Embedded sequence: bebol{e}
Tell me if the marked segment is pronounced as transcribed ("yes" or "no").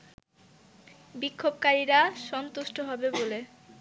yes